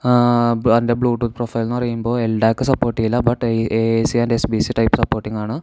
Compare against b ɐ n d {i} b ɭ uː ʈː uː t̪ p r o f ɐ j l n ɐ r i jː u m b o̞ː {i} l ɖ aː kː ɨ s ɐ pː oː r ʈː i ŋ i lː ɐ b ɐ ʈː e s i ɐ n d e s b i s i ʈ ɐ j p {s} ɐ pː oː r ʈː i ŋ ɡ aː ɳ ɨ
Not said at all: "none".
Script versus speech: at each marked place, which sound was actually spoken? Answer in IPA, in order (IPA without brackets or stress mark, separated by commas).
e, e, s